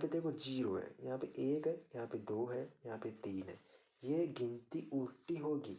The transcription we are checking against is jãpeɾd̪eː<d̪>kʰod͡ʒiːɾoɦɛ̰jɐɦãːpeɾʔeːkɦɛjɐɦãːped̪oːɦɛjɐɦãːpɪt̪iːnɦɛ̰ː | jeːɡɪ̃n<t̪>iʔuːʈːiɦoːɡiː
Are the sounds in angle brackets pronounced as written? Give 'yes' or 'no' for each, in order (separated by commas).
no, yes